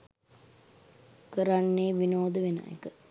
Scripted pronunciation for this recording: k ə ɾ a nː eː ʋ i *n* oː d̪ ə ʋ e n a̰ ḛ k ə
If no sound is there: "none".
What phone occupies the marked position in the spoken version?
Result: n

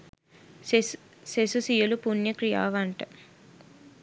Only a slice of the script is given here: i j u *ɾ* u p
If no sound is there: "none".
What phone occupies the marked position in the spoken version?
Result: l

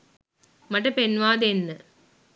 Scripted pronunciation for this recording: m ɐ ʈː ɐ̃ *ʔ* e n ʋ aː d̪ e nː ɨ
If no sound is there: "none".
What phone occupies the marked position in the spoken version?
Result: p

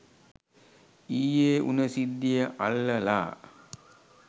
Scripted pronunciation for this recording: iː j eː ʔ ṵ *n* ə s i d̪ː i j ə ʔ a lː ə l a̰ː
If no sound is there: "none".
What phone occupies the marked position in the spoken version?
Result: n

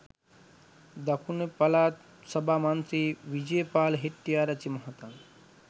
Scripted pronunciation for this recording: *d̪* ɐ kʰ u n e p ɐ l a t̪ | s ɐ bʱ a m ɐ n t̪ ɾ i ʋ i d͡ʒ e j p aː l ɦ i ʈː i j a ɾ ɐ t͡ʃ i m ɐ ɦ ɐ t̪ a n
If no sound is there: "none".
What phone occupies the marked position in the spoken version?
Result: d̪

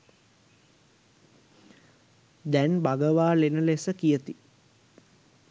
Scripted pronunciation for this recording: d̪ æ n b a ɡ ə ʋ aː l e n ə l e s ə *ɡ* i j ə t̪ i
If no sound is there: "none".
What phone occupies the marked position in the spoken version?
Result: k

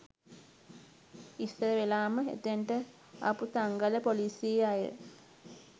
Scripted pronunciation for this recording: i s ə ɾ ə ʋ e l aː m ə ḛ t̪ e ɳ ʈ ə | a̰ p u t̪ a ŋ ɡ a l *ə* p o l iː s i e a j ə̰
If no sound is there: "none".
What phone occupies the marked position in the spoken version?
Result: ə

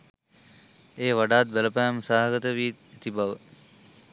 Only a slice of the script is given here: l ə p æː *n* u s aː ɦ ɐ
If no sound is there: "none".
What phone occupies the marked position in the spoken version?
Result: m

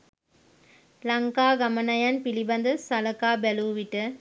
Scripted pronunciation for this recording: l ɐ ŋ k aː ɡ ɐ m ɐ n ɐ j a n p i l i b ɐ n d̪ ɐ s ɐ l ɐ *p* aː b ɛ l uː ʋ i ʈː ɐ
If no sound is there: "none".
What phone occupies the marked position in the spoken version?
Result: k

